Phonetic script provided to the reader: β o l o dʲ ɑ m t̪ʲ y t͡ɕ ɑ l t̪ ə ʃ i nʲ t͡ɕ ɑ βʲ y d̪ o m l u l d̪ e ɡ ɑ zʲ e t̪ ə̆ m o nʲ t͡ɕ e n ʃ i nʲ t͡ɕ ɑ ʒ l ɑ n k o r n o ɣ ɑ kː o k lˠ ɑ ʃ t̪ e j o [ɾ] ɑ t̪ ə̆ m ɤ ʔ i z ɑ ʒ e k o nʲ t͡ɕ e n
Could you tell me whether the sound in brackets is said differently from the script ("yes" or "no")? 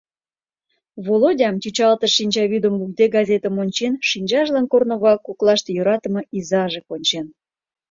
no